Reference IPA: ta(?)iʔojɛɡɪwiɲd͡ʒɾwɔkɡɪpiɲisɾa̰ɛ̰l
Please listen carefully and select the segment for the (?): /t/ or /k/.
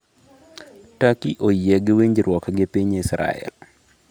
k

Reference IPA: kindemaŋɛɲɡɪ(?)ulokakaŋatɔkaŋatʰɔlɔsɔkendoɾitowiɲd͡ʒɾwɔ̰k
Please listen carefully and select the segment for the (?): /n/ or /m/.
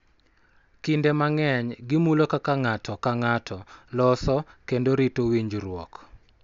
m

